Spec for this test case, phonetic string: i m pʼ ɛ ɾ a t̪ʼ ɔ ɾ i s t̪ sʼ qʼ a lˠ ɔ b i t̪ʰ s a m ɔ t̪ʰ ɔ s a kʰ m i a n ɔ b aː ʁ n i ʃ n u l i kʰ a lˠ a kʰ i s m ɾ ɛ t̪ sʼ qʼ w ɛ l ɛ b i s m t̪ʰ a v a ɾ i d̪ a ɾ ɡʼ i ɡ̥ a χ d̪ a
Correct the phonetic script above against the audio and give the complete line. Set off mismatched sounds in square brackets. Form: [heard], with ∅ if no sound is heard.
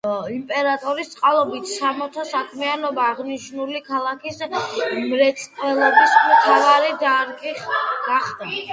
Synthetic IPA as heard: i m pʼ ɛ ɾ a t̪ʼ ɔ ɾ i s t̪ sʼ qʼ a lˠ ɔ b i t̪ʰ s a m ɔ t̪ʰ ɔ s a kʰ m i a n ɔ b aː ʁ n i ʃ n u l i kʰ a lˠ a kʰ i s m ɾ ɛ t̪ sʼ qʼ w ɛ l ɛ b i s m t̪ʰ a v a ɾ i d̪ a ɾ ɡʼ i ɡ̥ a χ d̪ a